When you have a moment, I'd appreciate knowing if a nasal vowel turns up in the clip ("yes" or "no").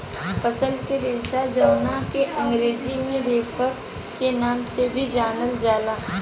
yes